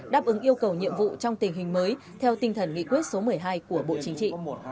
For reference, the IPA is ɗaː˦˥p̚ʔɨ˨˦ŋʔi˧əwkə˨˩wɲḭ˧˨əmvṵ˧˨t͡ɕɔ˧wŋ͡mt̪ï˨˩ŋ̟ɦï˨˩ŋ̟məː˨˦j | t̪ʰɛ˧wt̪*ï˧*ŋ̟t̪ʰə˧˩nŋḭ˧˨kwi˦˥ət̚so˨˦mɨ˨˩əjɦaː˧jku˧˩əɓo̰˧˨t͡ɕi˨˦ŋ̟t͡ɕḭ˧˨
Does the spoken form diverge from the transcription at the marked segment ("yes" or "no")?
no